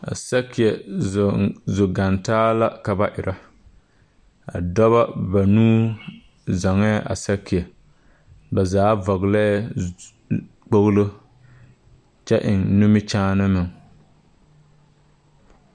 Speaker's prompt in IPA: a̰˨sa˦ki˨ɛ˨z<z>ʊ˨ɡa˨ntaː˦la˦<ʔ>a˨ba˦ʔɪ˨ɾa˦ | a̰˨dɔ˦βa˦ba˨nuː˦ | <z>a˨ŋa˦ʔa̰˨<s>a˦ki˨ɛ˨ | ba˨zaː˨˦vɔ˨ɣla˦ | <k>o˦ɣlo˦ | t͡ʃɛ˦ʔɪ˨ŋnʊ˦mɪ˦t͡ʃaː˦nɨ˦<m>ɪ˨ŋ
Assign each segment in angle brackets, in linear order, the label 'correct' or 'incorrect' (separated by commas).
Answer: correct, incorrect, correct, correct, incorrect, correct